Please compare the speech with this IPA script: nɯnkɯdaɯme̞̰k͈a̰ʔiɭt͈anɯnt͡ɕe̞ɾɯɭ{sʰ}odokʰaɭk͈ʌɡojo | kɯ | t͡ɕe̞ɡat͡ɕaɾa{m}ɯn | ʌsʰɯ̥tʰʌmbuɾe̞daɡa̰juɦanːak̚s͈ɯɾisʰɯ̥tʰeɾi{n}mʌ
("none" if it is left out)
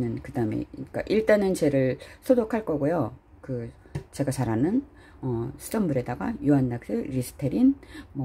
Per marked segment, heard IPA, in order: sʰ, n, n

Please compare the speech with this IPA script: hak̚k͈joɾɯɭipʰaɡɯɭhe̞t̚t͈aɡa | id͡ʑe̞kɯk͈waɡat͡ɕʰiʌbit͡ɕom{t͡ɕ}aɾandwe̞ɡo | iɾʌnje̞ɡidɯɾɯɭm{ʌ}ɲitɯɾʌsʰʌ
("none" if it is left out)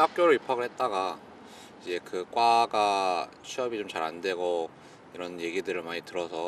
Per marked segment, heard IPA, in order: t͡ɕ, a

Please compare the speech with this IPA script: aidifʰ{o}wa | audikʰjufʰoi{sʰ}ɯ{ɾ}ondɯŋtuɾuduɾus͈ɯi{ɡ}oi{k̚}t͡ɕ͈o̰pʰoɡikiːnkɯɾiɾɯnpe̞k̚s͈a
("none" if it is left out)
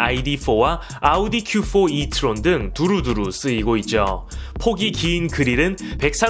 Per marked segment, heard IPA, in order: o, tʰ, ɾ, ɡ, t̚

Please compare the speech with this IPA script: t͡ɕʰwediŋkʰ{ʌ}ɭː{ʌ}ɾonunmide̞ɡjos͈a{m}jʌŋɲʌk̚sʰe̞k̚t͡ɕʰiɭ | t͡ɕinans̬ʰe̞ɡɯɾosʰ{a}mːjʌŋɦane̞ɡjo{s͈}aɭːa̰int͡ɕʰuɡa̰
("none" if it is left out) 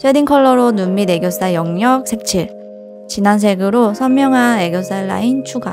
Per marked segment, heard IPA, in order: ʌ, ʌ, none, ʌ, s͈

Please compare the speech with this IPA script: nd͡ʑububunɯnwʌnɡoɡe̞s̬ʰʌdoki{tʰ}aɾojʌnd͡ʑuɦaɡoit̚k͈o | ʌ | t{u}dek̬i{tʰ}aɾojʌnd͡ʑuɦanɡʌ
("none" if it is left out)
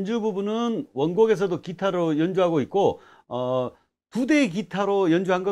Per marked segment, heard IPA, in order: tʰ, u, tʰ

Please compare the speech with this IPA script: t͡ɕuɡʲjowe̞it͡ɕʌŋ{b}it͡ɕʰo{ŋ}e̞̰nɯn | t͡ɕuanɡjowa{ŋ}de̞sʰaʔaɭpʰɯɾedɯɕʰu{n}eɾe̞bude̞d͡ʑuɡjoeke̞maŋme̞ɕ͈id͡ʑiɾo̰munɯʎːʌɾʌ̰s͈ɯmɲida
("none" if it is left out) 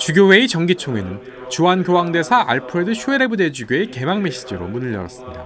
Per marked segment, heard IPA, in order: ɡ, ŋ, ŋ, none

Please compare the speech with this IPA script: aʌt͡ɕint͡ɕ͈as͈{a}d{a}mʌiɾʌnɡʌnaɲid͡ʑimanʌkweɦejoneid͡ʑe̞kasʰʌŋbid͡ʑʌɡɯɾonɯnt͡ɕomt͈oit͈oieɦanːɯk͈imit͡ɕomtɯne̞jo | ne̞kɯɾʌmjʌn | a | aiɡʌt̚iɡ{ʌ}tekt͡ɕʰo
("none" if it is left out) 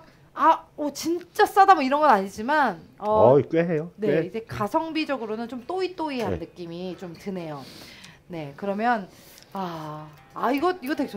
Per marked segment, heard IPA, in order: a, a, ʌ

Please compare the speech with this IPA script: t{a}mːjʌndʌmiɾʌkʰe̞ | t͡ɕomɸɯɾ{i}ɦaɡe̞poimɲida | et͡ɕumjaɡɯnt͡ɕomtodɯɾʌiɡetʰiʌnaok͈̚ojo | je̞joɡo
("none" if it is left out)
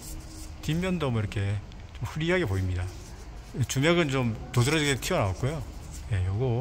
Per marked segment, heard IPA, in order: i, i

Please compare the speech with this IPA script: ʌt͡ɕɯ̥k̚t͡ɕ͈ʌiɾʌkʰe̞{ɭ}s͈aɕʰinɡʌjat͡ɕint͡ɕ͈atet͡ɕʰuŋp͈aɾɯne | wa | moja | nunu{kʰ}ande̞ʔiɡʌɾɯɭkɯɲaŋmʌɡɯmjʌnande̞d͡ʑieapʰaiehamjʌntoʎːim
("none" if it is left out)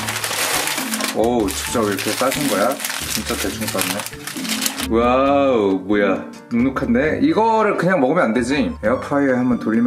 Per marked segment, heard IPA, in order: none, kʰ

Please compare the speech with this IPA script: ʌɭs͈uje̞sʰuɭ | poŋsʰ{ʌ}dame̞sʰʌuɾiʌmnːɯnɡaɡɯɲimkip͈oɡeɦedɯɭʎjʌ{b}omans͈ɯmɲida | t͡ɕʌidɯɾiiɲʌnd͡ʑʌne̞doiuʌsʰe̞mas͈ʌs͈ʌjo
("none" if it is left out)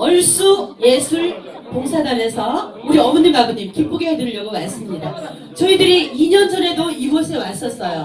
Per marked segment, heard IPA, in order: a, ɡ

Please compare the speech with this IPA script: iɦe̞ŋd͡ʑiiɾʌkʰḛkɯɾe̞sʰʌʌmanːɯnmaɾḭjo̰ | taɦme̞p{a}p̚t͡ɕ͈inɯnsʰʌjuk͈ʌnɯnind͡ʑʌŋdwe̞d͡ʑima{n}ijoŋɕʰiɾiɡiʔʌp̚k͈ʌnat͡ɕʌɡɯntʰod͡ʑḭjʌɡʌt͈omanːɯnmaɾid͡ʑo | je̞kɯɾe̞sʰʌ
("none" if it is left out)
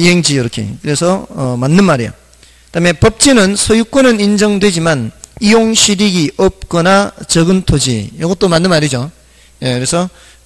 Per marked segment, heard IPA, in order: ʌ, n

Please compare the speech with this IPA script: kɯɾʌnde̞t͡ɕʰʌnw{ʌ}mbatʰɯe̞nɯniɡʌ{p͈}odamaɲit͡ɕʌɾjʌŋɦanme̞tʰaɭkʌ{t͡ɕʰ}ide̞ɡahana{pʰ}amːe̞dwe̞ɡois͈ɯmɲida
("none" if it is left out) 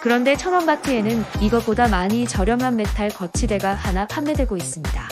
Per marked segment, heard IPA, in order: ʌ, p͈, t͡ɕʰ, pʰ

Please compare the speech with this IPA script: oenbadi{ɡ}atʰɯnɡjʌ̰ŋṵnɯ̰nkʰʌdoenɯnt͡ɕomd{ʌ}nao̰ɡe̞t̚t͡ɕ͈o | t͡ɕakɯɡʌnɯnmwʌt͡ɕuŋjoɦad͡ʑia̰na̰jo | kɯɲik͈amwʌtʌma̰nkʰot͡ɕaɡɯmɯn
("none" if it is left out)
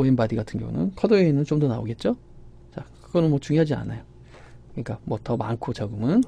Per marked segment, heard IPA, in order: ɡ, ʌ

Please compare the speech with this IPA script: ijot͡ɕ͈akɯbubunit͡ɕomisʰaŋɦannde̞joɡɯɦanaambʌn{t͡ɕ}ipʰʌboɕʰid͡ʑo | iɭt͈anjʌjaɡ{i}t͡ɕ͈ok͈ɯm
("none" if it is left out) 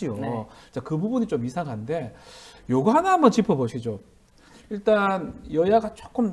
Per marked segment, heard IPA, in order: t͡ɕ, a

